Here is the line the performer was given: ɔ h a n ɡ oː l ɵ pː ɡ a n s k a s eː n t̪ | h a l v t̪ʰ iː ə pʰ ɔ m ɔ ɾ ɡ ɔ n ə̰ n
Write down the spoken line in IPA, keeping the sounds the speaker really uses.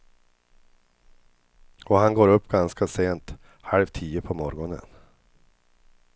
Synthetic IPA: ɔ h a n ɡ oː ɾ ɵ pː ɡ a n s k a s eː n t̪ | h a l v t̪ʰ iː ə pʰ ɔ m ɔ ɾ ɡ ɔ n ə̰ n